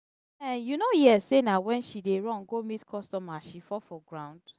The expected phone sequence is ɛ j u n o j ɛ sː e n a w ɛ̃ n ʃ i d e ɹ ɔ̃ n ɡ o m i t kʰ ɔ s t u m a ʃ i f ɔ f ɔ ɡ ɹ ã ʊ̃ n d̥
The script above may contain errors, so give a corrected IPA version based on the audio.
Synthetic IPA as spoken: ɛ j u n o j ɛ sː e n a w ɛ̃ n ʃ i d e ɹ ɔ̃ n ɡ o m i t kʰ ɔ s t ɔ m a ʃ i f ɔ f ɔ ɡ ɹ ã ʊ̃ n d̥